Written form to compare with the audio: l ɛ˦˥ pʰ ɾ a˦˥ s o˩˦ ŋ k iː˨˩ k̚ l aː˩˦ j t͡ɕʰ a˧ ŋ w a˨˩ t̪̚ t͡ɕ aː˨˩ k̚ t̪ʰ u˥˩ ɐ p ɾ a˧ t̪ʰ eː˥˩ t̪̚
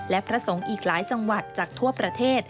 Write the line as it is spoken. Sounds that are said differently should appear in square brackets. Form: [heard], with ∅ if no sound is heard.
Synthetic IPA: l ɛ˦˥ pʰ ɾ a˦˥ s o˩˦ ŋ [ʔ] iː˨˩ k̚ l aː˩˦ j [t͡ɕ] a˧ ŋ w a˨˩ t̪̚ t͡ɕ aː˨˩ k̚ t̪ʰ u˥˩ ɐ p ɾ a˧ t̪ʰ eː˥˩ t̪̚